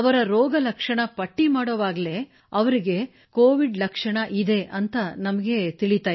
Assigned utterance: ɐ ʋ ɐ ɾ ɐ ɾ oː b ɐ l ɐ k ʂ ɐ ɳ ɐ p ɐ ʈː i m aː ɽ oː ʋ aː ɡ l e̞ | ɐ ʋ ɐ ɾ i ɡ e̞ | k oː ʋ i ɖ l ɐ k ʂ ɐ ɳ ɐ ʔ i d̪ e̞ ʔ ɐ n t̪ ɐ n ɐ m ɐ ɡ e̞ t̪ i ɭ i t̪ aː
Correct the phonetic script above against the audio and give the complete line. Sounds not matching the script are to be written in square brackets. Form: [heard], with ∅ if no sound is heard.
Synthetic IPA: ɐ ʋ ɐ ɾ ɐ ɾ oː [ɡ] ɐ l ɐ k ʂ ɐ ɳ ɐ p ɐ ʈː i m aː ɽ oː ʋ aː ɡ l e̞ | ɐ ʋ ɐ ɾ i ɡ e̞ | k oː ʋ i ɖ l ɐ k ʂ ɐ ɳ ɐ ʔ i d̪ e̞ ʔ ɐ n t̪ ɐ n ɐ m ɐ ɡ e̞ t̪ i ɭ i t̪ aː